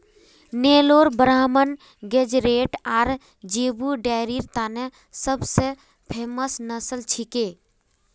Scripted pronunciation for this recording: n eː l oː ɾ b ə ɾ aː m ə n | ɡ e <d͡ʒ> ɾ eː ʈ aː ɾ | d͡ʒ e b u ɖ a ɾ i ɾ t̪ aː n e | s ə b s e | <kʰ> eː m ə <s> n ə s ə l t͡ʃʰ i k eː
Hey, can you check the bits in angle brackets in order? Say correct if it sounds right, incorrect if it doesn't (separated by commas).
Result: correct, incorrect, correct